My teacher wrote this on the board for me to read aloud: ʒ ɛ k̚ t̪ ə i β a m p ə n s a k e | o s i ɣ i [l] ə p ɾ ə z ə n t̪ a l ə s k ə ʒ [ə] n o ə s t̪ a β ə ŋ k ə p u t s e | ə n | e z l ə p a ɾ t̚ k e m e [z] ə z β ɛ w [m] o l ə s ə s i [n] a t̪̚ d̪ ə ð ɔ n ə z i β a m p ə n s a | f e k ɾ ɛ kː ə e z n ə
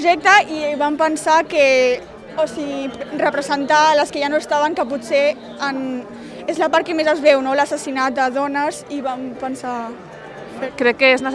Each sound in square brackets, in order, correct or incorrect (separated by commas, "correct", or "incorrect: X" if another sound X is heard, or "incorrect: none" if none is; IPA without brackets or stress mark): incorrect: r, incorrect: a, correct, incorrect: n, correct